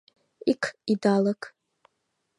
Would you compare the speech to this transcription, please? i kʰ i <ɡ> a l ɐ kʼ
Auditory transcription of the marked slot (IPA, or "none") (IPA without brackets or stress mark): d